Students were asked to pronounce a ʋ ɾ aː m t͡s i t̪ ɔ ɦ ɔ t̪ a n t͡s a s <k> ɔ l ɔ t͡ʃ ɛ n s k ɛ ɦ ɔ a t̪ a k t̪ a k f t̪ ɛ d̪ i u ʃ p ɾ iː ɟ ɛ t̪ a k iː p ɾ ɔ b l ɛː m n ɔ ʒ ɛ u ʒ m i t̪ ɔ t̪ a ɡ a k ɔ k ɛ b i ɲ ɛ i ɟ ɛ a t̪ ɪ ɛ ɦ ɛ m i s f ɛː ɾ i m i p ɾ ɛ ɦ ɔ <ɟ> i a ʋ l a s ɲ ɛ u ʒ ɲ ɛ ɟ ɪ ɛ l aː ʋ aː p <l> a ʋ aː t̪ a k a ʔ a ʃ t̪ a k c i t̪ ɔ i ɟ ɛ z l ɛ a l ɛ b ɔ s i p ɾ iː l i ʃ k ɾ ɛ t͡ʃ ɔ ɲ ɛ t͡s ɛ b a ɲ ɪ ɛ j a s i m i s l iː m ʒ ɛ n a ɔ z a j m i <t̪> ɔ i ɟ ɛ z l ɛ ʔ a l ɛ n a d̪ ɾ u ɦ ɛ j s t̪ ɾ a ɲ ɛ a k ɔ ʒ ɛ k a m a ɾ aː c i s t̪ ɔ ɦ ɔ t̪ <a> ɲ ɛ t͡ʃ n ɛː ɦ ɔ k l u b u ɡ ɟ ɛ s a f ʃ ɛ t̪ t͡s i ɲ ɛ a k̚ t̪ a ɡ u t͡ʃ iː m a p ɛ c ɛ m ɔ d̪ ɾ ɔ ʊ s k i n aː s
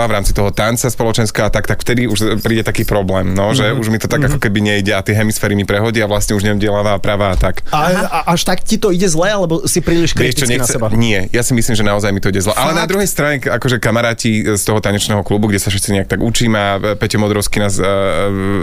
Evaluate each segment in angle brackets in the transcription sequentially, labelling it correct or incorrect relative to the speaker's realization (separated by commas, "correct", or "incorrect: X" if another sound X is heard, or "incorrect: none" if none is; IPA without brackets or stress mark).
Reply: incorrect: p, correct, incorrect: ɾ, correct, correct